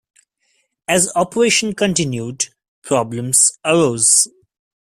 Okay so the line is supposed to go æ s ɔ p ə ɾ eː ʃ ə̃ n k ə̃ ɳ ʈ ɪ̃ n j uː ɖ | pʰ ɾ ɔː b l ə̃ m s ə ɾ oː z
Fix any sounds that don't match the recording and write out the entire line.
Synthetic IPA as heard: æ z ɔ p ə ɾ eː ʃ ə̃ n k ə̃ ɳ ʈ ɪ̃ n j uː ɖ | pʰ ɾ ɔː b l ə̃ m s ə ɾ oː z